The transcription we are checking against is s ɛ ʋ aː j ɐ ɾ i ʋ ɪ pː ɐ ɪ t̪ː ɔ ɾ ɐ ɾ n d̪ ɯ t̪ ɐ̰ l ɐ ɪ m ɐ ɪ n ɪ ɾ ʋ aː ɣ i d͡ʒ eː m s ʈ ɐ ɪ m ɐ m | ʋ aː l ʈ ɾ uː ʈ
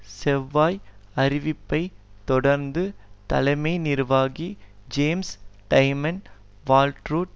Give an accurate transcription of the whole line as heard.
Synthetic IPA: s ɛ ʋː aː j ɐ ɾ ɪ ʋ ɪ pː ɐ ɪ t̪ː ɔ ɽ ɐ ɾ n d̪ ɯ t̪ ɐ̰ l ɐ ɪ m ɐ ɪ n ɪ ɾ ʋ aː ɣ i d͡ʒ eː m s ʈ ɐ ɪ m ɐ n | ʋ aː l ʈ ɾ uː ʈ